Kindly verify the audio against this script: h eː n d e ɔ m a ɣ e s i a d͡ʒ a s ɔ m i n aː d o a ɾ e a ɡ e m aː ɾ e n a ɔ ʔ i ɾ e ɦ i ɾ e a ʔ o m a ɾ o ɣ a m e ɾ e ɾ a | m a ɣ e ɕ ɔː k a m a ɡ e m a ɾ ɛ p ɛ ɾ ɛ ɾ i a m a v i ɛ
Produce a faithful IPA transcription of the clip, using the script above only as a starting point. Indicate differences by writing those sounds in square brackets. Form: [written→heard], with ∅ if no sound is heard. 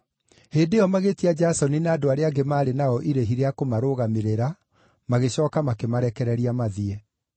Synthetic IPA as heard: h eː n d e ɔ m a ɣ e [s→t] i a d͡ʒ a s ɔ [m→n] i n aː d o a ɾ e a ɡ e m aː ɾ e n a ɔ ʔ i ɾ e ɦ i ɾ e a [ʔ→k] o m a ɾ o ɣ a m e ɾ e ɾ a | m a ɣ e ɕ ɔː k a m a [ɡ→k] e m a ɾ ɛ [p→k] ɛ ɾ ɛ ɾ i a m a [v→ð] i ɛ